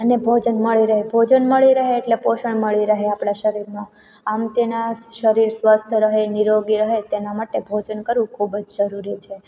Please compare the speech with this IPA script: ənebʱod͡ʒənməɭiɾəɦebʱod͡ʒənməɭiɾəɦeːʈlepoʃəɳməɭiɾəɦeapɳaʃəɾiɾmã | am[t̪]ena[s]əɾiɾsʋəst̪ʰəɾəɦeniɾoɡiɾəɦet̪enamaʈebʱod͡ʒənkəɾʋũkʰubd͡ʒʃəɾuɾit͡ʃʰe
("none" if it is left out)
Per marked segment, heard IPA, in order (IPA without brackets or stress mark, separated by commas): t̪, ʃ